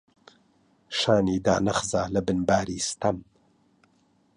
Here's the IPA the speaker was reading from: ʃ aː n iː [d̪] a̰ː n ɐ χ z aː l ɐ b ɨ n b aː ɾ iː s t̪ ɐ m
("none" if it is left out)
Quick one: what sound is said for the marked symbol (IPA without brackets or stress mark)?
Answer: d̪